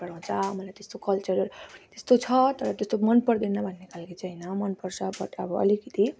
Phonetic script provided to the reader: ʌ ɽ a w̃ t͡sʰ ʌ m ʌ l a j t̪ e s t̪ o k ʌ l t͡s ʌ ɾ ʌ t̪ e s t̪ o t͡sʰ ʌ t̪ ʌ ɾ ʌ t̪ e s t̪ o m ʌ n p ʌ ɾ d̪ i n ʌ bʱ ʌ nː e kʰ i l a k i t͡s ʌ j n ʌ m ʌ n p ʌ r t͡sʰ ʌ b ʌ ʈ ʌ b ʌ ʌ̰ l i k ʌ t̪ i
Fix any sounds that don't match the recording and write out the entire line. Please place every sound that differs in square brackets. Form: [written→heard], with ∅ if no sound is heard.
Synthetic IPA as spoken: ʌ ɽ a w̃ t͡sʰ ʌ m ʌ l a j t̪ e s t̪ o k ʌ l t͡s ʌ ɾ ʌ t̪ e s t̪ o t͡sʰ ʌ t̪ ʌ ɾ ʌ t̪ e s t̪ o m ʌ n p ʌ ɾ d̪ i n ʌ bʱ ʌ nː e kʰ [i→a] l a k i t͡s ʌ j n ʌ m ʌ n p ʌ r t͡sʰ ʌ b ʌ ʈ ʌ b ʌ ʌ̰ l i k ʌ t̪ i